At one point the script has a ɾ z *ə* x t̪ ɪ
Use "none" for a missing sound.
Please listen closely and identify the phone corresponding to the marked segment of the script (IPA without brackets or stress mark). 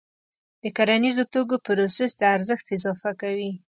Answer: ə